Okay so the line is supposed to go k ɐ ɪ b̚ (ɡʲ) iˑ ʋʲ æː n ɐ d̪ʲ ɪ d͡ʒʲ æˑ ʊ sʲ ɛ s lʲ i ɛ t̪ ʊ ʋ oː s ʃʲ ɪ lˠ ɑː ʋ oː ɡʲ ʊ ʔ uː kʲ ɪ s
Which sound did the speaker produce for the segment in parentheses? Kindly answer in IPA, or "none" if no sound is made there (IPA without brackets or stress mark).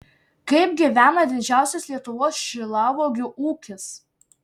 ɡʲ